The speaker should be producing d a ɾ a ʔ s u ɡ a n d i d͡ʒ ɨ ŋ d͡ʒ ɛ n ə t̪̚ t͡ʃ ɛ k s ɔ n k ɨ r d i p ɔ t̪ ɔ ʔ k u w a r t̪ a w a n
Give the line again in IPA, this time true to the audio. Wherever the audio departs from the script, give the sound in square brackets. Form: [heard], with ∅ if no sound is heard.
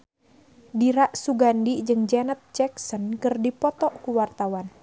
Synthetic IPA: d [i] ɾ a ʔ s u ɡ a n d i d͡ʒ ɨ ŋ d͡ʒ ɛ n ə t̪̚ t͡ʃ ɛ k s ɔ n k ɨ r d i p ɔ t̪ ɔ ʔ k u w a r t̪ a w a n